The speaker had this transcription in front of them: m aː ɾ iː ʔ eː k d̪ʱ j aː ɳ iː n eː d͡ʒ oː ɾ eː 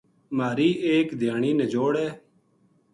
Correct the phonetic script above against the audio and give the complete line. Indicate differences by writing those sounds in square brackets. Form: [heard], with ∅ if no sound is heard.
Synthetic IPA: m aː ɾ iː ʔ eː k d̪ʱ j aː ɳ iː n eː d͡ʒ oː [ɽ] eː